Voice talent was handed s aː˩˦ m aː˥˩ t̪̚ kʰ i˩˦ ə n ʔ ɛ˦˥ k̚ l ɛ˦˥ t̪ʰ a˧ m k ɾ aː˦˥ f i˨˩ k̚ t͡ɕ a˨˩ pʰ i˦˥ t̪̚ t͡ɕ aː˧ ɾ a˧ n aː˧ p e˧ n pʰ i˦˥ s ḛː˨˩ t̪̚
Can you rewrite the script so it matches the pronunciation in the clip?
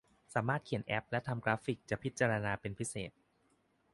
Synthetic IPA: s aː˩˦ m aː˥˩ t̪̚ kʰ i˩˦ ə n ʔ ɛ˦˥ p̚ l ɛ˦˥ t̪ʰ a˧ m k ɾ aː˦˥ f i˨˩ k̚ t͡ɕ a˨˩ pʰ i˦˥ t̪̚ t͡ɕ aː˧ ɾ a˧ n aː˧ p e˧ n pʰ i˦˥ s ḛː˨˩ t̪̚

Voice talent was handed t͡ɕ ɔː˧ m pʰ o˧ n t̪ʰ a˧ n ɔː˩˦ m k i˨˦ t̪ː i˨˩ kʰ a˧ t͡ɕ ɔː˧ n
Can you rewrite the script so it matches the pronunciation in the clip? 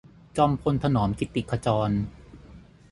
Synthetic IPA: t͡ɕ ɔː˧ m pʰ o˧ n t̪ʰ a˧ n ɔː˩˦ m k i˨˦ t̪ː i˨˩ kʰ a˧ t͡ɕ ɔː˧ n

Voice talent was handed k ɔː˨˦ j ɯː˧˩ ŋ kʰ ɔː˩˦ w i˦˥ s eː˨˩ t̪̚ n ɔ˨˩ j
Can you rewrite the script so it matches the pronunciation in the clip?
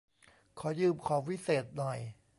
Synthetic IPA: kʰ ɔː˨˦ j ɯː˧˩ m kʰ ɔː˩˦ w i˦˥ s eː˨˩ t̪̚ n ɔ˨˩ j

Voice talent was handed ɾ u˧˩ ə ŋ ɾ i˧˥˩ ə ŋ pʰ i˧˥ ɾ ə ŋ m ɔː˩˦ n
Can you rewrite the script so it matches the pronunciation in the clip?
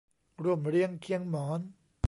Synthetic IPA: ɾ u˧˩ ə m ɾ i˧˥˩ ə ŋ kʰ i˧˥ ə ŋ m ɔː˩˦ n

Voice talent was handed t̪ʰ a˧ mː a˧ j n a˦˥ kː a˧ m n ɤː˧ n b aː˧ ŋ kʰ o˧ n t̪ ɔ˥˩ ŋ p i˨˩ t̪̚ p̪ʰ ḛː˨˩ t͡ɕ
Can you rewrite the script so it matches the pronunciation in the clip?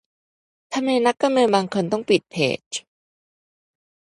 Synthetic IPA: t̪ʰ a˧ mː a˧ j n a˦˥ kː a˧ m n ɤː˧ n b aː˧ ŋ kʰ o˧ n t̪ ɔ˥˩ ŋ p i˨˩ t̪̚ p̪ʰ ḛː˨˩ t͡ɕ

